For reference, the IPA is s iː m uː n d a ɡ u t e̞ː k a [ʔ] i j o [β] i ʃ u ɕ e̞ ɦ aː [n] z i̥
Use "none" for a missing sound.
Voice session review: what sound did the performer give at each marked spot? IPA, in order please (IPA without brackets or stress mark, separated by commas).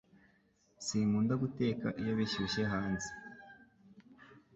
ʔ, β, n